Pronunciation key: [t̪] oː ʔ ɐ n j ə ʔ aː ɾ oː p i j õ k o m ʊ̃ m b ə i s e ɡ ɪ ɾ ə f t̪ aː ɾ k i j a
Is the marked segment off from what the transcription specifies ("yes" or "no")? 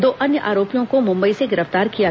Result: yes